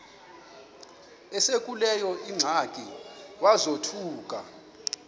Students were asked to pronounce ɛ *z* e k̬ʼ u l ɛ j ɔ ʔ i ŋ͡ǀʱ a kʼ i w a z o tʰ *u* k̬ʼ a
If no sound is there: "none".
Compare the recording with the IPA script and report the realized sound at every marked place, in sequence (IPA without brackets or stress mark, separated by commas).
s, uː